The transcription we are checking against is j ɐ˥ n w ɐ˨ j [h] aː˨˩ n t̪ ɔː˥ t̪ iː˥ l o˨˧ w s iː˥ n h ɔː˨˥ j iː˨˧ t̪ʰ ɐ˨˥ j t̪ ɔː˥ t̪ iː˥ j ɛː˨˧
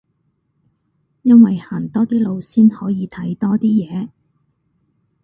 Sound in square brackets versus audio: correct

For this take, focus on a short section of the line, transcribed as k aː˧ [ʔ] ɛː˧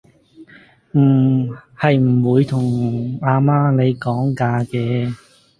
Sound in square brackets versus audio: incorrect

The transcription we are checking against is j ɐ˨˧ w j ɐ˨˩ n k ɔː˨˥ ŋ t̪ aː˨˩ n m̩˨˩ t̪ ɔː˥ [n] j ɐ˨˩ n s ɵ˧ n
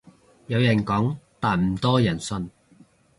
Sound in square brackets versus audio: incorrect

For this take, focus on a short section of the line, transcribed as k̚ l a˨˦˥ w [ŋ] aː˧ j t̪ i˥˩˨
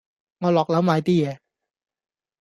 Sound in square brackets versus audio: incorrect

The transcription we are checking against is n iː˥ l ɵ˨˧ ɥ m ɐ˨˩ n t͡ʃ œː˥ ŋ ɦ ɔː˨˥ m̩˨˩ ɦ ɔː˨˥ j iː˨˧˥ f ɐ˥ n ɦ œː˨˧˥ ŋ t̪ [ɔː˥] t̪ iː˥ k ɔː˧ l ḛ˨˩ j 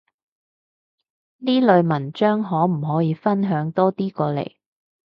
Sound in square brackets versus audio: correct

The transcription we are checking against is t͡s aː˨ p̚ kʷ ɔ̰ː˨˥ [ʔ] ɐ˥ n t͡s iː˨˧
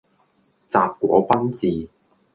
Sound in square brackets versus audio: incorrect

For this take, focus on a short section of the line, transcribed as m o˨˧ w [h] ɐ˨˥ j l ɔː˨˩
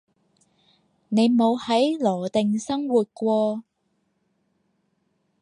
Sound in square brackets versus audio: correct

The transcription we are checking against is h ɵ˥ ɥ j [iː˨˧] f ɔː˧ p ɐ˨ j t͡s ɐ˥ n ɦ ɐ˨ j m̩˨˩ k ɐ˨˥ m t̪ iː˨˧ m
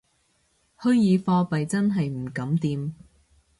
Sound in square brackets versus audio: correct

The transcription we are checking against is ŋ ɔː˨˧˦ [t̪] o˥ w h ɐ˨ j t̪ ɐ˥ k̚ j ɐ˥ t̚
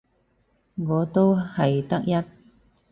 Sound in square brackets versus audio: correct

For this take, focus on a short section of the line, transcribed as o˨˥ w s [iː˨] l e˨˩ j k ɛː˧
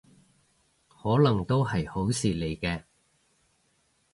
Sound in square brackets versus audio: correct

